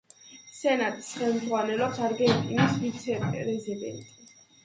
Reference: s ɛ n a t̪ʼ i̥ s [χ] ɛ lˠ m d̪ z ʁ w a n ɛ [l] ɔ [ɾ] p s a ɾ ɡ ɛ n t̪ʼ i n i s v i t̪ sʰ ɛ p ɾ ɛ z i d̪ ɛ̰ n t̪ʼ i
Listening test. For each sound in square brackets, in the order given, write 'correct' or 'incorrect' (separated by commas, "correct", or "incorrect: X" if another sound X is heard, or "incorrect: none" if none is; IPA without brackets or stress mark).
correct, correct, incorrect: none